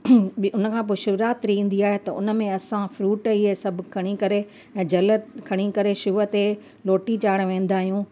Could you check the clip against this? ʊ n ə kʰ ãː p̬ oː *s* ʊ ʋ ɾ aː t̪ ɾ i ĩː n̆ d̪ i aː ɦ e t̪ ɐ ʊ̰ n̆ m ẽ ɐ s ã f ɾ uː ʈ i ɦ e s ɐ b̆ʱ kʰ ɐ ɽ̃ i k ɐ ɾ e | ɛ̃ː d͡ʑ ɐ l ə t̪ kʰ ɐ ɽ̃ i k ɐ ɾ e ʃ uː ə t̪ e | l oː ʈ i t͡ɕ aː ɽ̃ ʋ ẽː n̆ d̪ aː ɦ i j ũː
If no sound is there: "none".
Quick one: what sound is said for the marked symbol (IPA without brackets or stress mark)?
ʃ